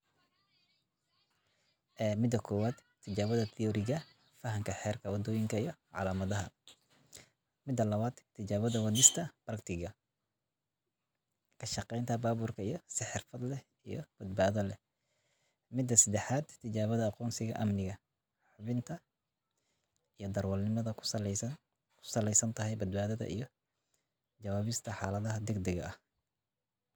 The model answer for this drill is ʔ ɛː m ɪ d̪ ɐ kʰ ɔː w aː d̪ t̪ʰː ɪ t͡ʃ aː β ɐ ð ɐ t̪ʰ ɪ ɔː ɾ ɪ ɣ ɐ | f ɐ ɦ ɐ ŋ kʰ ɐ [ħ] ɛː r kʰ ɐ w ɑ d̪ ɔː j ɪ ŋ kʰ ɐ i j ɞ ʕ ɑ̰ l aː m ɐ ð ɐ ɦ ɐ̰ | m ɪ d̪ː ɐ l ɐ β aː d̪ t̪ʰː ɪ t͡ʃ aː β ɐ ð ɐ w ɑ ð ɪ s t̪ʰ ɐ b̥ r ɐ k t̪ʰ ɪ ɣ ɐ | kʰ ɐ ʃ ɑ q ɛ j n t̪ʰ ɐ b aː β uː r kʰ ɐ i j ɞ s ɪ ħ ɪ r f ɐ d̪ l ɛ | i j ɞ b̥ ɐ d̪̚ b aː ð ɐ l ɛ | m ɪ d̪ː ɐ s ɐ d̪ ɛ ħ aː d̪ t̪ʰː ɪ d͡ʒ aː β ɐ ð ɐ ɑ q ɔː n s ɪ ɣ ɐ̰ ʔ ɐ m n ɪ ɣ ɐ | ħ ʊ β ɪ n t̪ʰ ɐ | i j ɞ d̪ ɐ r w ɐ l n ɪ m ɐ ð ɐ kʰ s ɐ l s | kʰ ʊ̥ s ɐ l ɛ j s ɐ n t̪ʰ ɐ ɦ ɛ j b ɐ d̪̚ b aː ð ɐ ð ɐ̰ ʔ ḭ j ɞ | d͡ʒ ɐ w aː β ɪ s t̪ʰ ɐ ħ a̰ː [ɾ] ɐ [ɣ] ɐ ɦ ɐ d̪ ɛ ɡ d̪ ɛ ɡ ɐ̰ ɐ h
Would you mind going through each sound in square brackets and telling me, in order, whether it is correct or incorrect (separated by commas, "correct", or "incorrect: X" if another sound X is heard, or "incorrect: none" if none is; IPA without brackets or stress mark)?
correct, incorrect: l, incorrect: ð